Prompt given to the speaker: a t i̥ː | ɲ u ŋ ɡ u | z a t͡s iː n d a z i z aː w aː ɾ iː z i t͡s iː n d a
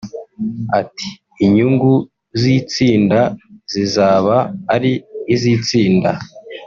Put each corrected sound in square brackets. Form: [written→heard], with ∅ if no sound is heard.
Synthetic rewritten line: a t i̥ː | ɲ u ŋ ɡ u | z [a→i] t͡s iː n d a z i z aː [w→β] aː ɾ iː z i t͡s iː n d a